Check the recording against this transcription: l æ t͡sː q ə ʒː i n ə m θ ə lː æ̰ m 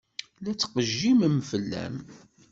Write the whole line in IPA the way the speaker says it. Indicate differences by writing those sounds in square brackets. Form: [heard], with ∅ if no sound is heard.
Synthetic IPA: l æ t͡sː q ə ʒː i [m] ə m [f] ə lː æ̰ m